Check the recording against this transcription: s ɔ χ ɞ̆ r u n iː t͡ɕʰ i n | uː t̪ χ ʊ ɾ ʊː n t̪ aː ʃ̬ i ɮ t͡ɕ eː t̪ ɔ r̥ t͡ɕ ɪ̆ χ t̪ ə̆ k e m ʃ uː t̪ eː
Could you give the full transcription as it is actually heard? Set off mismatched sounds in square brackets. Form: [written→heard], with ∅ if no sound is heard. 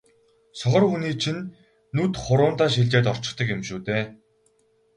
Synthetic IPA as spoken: s ɔ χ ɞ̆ r u n iː t͡ɕʰ i [n→nː] | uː t̪ χ ʊ ɾ ʊː n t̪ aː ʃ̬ i ɮ t͡ɕ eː t̪ ɔ r̥ t͡ɕ ɪ̆ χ t̪ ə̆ k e m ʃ uː t̪ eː